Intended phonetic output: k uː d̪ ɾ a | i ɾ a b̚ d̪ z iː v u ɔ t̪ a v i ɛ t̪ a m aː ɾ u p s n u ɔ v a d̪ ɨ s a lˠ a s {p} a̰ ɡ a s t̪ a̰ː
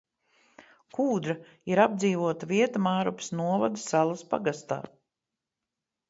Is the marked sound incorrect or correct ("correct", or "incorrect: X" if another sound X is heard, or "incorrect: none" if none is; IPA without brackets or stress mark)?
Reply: correct